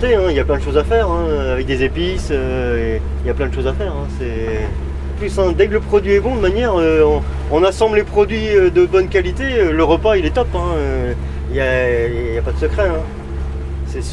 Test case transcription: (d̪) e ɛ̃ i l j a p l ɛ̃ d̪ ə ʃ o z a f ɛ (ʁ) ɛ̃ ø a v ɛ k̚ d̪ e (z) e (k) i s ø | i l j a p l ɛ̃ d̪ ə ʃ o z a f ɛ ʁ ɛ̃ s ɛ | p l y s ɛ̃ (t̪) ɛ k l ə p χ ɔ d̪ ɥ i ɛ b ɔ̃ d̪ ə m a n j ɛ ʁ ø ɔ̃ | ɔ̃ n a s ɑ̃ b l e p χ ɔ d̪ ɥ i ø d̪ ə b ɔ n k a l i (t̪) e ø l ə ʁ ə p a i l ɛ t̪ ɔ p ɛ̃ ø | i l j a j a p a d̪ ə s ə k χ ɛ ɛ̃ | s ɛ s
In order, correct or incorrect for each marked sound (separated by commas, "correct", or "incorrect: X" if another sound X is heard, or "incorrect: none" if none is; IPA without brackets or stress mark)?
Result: incorrect: t̪, correct, correct, incorrect: p, incorrect: d̪, correct